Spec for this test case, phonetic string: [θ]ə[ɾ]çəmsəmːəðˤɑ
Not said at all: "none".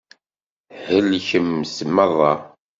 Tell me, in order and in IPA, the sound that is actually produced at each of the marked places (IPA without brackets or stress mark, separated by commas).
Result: h, l